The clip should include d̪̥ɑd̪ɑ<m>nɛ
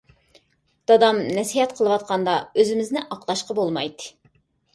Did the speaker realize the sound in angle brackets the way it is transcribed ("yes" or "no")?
yes